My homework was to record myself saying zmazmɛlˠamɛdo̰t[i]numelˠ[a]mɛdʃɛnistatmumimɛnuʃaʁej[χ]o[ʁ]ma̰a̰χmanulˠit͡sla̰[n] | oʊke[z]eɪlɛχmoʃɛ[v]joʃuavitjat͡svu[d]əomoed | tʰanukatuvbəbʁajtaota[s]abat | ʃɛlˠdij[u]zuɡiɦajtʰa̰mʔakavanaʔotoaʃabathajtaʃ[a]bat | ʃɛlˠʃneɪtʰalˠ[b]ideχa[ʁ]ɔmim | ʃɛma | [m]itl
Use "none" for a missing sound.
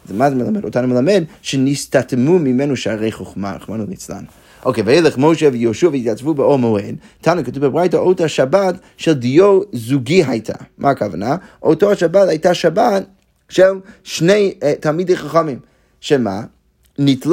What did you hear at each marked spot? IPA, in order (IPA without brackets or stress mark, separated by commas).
a, a, χ, χ, n, v, v, b, ʃ, o, a, m, χ, n